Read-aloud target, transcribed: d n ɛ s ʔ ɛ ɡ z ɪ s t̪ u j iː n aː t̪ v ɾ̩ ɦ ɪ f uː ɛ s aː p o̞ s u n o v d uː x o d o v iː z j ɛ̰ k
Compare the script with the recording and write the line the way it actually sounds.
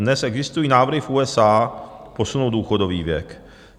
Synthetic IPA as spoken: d n ɛ s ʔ ɛ ɡ z ɪ s t̪ u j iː n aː v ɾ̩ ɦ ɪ f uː ɛ s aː p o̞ s u n o w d uː x o d o v iː v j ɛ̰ k